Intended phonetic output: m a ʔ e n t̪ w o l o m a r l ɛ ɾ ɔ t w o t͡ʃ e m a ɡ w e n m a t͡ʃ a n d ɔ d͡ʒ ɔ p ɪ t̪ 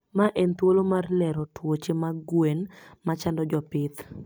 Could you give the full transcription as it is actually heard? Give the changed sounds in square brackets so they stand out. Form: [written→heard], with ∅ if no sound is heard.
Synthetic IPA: m a ʔ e n t̪ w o l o m a r l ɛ ɾ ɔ t w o t͡ʃ e m a ɡ w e n m a t͡ʃ a n d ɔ d͡ʒ ɔ p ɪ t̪